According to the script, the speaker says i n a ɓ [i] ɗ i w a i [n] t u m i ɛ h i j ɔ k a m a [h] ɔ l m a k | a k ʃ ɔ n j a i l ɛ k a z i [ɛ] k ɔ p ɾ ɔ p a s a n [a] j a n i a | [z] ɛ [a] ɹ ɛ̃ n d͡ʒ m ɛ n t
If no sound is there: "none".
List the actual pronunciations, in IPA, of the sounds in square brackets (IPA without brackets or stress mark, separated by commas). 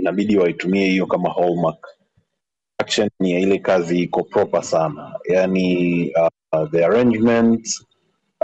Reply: i, none, h, i, a, ð, a